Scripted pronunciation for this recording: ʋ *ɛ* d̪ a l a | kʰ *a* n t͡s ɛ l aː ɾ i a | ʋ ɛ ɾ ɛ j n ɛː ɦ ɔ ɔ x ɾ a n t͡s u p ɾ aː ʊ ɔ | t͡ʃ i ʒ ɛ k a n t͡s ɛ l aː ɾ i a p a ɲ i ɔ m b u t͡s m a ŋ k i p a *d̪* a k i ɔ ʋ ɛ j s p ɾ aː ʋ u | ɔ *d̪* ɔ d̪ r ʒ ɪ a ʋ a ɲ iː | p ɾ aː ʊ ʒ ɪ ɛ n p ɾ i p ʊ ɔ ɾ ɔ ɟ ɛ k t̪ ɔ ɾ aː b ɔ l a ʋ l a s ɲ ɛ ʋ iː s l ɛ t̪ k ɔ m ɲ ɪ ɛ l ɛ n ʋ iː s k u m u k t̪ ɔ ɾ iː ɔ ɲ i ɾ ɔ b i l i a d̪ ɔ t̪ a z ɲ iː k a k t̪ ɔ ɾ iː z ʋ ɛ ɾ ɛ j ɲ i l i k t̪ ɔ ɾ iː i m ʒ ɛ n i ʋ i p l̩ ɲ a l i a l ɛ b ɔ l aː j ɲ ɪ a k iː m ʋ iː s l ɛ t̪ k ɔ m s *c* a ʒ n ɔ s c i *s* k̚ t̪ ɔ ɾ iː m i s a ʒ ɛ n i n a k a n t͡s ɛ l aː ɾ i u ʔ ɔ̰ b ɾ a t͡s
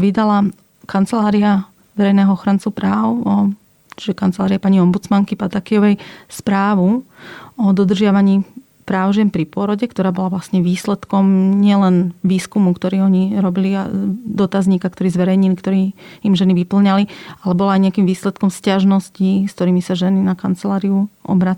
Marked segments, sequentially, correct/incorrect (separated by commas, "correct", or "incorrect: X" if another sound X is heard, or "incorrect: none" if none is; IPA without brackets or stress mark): incorrect: i, correct, incorrect: t̪, correct, correct, correct